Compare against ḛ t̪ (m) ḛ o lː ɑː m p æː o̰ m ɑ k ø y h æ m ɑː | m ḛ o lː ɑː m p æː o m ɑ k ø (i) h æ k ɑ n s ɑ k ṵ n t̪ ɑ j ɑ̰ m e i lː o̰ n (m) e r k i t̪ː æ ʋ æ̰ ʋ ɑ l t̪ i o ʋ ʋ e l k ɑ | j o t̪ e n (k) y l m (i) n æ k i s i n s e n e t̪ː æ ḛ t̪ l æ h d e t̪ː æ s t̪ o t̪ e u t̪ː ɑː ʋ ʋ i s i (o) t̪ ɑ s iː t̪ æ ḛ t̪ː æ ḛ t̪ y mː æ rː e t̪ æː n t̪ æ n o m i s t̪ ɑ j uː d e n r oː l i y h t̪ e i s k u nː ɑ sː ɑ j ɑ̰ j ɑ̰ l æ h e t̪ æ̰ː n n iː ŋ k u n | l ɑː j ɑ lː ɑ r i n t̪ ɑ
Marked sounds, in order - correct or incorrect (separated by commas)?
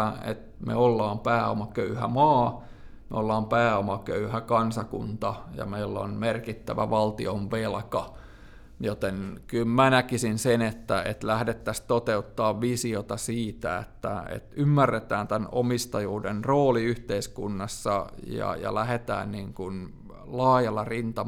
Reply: correct, incorrect, correct, correct, incorrect, correct